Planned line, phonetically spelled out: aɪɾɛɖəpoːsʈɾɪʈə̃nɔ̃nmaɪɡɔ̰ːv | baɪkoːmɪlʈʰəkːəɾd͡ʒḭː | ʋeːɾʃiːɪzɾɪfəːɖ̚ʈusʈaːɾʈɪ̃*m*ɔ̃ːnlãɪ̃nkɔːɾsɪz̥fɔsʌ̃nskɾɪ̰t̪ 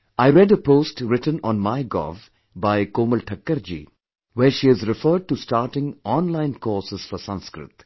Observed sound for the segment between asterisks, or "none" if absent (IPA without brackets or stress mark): ŋ